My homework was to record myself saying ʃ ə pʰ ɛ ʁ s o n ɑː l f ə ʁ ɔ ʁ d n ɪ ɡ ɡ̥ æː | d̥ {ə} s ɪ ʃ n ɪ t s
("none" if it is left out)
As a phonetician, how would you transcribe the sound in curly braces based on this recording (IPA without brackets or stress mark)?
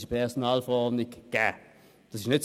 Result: ɑ